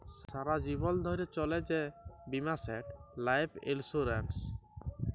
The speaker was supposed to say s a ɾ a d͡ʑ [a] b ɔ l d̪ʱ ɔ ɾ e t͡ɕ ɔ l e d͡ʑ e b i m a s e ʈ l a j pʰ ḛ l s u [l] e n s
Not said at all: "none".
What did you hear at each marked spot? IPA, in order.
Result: i, ɾ

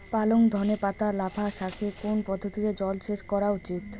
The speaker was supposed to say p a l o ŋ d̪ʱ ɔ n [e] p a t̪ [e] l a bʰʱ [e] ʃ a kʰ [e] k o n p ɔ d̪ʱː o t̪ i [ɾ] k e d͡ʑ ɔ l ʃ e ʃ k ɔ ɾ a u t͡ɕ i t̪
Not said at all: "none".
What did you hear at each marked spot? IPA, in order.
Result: e, a, a, e, none

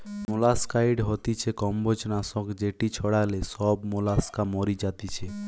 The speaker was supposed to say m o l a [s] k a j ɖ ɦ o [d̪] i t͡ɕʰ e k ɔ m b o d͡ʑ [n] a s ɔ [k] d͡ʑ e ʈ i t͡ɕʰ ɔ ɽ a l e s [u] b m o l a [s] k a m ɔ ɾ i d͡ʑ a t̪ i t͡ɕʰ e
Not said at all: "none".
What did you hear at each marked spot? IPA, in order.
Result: s, t̪, n, k, ɔ, s

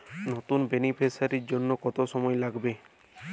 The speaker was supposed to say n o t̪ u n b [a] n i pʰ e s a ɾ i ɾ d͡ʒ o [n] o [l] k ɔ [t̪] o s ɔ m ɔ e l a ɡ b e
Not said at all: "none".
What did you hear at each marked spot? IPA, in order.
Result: e, nː, none, t̪

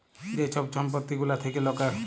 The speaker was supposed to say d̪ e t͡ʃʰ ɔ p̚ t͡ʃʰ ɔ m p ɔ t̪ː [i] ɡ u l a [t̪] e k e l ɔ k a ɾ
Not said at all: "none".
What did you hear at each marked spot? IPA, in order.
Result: i, t̪ʰ

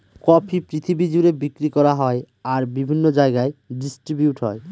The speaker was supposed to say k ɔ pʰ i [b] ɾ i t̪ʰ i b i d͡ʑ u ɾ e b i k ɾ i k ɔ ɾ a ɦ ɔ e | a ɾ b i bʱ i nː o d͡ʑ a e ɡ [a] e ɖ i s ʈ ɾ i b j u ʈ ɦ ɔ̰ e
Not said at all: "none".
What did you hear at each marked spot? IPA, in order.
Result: p, a

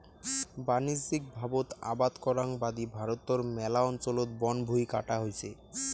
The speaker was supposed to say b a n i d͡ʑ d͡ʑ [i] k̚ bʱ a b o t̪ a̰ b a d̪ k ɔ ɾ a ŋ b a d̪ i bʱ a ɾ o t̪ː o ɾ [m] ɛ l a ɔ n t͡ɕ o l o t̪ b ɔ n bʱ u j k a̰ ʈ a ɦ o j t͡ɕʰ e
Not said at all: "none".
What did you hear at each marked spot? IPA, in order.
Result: i, m

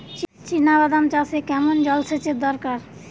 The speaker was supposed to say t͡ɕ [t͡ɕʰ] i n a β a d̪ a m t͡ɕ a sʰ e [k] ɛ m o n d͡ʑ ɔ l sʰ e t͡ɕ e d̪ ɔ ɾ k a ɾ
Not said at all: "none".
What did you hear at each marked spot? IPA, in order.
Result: t͡ɕ, k

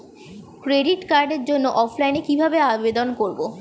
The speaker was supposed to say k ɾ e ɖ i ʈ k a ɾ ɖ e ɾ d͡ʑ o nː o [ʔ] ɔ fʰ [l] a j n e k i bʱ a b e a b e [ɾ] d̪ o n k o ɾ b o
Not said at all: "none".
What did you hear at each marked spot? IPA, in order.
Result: ʔ, l, none

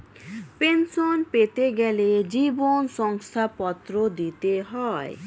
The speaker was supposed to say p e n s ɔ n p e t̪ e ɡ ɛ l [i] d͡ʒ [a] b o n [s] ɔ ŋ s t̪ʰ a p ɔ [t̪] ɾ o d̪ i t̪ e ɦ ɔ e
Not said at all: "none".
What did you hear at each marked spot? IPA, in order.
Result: e, i, s, t̪

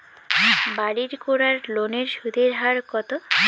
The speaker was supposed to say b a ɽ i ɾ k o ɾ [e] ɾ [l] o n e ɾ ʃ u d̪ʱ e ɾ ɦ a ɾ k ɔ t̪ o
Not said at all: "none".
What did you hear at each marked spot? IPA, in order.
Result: a, l

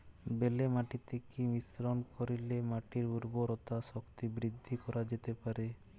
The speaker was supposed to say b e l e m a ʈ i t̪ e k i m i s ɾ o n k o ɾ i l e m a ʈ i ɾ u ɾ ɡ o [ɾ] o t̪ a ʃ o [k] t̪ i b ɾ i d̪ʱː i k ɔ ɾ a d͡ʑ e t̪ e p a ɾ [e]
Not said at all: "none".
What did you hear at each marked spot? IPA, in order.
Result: ɾ, k, e

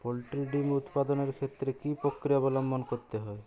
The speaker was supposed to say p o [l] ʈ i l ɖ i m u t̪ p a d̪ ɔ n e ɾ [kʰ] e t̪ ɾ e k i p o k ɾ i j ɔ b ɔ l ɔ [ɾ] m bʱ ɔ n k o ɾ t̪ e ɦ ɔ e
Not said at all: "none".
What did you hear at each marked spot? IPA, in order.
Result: l, kʰ, none

